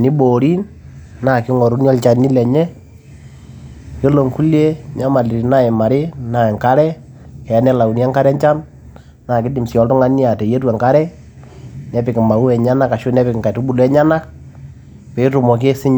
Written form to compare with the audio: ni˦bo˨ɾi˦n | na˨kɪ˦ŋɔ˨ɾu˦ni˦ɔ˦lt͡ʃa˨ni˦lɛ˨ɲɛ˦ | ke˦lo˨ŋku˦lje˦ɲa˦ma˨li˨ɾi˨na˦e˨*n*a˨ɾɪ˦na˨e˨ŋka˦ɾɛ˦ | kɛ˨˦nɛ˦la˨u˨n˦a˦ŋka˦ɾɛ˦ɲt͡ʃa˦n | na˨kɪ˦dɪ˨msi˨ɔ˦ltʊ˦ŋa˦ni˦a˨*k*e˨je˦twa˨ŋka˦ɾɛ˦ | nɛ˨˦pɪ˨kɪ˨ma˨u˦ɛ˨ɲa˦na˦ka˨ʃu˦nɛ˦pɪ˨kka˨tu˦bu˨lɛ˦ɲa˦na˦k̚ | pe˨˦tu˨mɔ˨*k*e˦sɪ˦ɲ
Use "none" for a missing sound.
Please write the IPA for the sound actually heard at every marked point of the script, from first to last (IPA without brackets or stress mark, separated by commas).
m, t, k